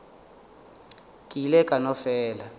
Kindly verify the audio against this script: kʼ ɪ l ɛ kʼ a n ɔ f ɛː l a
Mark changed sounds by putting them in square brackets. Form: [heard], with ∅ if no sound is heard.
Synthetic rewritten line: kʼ [i] l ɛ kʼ a n ɔ f ɛː l a